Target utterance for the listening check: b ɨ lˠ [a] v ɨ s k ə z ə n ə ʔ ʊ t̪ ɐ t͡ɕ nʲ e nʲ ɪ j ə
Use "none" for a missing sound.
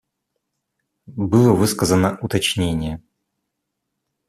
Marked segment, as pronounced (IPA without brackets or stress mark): ə